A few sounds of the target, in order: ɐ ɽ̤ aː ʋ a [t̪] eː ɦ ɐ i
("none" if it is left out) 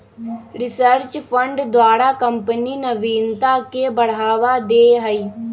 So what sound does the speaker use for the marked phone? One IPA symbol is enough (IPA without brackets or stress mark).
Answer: d̪